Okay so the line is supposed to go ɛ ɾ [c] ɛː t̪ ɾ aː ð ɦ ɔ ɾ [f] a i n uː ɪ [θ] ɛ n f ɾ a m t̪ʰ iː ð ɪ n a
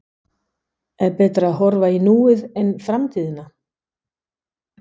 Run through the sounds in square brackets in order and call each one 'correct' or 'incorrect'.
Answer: incorrect: p, incorrect: v, incorrect: ð

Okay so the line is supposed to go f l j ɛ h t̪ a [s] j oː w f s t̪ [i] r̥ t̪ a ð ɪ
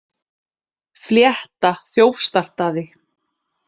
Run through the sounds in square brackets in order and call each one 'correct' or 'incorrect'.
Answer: incorrect: θ, incorrect: a

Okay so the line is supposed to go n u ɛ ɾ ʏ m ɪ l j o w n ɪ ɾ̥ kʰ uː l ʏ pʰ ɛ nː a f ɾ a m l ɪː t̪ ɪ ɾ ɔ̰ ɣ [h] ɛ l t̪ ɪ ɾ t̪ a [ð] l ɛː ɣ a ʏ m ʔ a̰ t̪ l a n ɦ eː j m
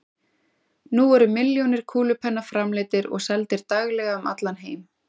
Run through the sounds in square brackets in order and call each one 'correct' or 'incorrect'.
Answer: incorrect: s, incorrect: ɣ

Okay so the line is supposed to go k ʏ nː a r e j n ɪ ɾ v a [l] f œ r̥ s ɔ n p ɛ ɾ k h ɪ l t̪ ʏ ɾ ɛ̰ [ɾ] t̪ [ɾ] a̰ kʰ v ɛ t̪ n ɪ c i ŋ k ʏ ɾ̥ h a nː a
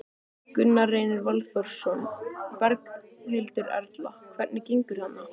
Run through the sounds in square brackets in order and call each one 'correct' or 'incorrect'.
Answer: correct, correct, incorrect: l

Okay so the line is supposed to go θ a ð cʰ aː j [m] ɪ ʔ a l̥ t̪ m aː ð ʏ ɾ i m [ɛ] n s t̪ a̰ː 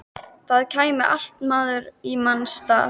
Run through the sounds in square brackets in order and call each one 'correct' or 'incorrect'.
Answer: correct, incorrect: a

